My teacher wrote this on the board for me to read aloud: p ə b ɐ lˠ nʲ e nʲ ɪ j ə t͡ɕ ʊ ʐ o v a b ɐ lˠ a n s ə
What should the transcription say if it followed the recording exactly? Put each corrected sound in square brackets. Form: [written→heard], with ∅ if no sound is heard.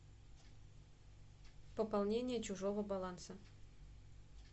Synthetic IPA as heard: p ə [b→p] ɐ lˠ nʲ e nʲ ɪ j ə t͡ɕ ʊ ʐ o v [a→ə] b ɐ lˠ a n s ə